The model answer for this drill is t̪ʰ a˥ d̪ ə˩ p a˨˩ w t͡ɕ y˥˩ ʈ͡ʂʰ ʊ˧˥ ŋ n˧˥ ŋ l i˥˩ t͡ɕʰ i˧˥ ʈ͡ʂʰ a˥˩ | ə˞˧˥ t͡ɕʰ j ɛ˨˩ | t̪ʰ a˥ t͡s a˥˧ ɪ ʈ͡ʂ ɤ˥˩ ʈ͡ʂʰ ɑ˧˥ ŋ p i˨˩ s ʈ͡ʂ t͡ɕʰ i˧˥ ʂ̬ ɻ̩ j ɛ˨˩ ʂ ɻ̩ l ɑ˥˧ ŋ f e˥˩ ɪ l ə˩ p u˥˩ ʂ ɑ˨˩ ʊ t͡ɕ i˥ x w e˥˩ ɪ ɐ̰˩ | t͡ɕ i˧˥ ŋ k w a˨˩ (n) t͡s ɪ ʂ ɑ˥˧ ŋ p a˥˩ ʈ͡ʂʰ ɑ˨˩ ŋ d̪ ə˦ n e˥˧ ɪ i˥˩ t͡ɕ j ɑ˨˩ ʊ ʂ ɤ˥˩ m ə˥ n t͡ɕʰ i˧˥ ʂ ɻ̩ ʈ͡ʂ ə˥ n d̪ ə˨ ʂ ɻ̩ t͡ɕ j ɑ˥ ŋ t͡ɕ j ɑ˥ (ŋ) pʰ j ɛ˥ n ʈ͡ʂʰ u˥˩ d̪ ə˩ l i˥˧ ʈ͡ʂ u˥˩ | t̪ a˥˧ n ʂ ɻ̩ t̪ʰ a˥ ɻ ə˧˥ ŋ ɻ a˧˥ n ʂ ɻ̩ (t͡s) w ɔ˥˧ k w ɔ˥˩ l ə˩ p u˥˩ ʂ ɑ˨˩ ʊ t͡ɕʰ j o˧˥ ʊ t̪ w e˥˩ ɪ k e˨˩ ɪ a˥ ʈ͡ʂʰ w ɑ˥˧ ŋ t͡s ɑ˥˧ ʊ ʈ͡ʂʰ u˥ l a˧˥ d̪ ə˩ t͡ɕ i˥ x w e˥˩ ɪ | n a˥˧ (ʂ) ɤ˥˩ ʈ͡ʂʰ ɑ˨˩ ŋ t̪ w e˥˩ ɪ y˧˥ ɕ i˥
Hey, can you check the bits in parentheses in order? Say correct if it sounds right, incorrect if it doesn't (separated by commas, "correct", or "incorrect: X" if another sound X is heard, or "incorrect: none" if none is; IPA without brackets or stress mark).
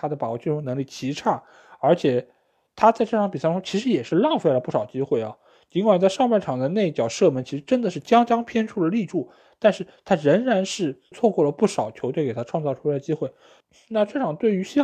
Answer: correct, correct, incorrect: t͡sʰ, incorrect: ʈ͡ʂ